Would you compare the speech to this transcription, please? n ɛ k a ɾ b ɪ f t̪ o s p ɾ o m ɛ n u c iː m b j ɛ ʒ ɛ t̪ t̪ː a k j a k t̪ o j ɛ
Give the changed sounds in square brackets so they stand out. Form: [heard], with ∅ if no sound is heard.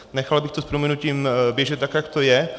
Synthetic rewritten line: n ɛ [x] a [l] b ɪ [x] t̪ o s p ɾ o m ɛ n u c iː m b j ɛ ʒ ɛ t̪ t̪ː a k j a k t̪ o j ɛ